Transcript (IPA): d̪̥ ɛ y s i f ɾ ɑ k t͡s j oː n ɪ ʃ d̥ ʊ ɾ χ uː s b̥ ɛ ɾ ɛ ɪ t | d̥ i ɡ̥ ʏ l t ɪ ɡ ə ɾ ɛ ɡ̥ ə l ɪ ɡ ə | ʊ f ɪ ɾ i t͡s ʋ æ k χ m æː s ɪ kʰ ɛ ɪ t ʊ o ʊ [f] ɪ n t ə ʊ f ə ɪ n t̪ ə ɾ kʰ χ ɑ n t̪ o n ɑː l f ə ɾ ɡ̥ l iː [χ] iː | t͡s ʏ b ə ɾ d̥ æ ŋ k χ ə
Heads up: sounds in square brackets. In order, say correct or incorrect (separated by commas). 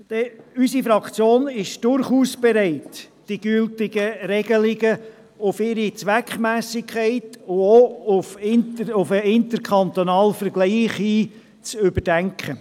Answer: correct, correct